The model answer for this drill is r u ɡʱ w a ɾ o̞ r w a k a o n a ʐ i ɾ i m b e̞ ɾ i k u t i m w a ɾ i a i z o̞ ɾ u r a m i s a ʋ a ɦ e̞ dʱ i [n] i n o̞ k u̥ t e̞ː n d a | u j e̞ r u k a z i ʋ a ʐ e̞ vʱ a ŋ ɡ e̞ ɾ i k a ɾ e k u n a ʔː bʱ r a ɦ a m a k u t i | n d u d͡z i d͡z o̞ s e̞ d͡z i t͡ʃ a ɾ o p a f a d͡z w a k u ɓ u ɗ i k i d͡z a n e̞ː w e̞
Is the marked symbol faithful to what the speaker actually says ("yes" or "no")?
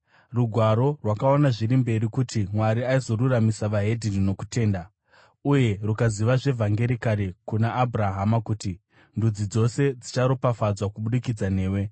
yes